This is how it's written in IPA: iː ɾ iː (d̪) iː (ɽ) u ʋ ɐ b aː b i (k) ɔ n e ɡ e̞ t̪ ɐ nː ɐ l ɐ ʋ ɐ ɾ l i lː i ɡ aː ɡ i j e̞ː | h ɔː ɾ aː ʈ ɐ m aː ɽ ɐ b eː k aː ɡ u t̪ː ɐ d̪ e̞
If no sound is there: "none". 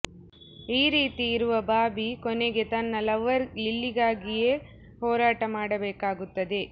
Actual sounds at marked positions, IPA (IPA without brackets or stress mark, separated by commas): t̪, ɾ, k